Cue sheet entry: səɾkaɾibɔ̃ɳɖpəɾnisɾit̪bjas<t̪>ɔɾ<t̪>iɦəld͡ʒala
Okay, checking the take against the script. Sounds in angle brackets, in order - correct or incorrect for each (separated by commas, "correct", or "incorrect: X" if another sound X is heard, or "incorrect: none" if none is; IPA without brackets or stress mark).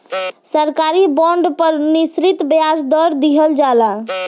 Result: incorrect: d̪, incorrect: d̪